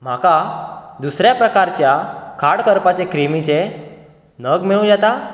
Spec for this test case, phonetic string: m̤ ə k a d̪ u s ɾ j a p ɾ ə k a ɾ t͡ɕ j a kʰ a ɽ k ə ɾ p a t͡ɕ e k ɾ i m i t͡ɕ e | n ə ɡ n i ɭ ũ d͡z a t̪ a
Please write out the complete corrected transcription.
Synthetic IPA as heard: m̤ a k a d̪ u s ɾ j a p ɾ ə k a ɾ t͡ɕ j a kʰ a ɽ k ə ɾ p a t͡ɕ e k ɾ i m i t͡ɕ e | n ə ɡ m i ɭ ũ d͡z a t̪ a